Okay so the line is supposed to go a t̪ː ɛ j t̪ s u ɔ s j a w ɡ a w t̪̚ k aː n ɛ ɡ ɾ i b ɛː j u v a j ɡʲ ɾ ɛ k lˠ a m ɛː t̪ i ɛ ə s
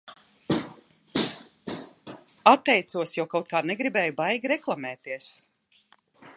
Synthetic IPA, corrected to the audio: a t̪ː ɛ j t̪ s u ɔ s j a w k a w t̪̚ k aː n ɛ ɡ ɾ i b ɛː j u b a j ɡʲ ɾ ɛ k lˠ a m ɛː t̪ i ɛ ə s